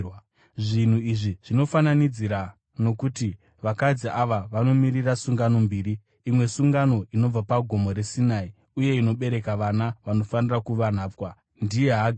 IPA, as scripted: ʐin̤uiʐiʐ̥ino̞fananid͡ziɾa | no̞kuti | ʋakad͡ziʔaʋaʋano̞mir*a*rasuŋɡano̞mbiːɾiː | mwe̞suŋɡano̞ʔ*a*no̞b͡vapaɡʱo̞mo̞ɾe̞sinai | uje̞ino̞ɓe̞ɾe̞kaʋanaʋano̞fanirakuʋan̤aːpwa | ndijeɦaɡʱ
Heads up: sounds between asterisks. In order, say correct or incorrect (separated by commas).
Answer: incorrect, incorrect